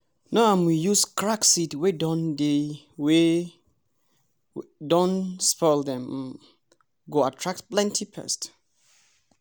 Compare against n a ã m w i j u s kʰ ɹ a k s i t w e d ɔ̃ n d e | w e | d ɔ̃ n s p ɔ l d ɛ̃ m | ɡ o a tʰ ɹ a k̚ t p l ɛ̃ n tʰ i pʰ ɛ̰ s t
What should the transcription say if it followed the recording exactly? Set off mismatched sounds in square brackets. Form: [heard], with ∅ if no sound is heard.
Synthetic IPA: n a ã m w i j u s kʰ ɹ a k s i t w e d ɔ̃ n d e | w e | d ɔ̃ n s p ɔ l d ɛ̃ m | ɡ o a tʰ ɹ a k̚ t p l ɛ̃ n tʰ i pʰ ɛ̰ s t